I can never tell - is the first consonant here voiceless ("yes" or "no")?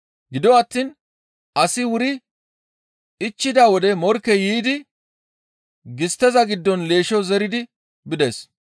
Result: no